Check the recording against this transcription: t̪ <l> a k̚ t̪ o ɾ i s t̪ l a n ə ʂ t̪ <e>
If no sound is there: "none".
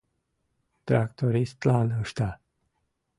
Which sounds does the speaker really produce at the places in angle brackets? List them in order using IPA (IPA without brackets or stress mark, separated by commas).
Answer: ɾ, a